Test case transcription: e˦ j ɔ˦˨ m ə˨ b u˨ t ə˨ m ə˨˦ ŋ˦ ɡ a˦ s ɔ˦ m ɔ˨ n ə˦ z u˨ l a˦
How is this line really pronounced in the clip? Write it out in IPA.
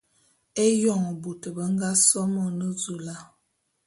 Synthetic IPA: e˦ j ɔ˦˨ ŋ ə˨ b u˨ t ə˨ b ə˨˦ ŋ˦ ɡ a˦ s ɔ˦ m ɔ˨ n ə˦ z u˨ l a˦